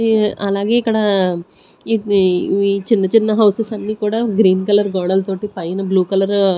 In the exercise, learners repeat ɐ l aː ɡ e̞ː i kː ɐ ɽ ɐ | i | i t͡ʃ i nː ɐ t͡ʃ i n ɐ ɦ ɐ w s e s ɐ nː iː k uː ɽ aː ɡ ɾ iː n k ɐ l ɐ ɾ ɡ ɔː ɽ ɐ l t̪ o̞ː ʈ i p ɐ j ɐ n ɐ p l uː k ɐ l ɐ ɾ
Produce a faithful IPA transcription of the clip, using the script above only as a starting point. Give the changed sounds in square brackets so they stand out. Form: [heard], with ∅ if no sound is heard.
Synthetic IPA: ɐ l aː ɡ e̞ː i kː ɐ ɽ ɐ | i | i t͡ʃ i nː ɐ t͡ʃ i [nː] ɐ ɦ ɐ w s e s ɐ nː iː k uː ɽ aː ɡ ɾ iː n k ɐ l ɐ ɾ ɡ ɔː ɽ ɐ l t̪ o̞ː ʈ i p ɐ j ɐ n ɐ [b] l uː k ɐ l ɐ ɾ